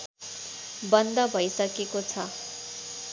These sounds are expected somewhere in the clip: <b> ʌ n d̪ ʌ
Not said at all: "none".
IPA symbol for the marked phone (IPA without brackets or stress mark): b